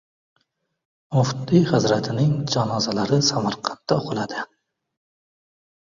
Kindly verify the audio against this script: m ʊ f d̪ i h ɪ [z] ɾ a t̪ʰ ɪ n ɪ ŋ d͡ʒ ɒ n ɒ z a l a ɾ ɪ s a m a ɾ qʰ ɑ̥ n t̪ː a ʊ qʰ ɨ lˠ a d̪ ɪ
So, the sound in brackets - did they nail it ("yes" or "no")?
yes